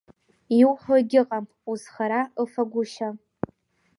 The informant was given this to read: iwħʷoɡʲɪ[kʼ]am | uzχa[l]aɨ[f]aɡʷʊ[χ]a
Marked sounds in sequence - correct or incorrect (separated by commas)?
incorrect, incorrect, correct, incorrect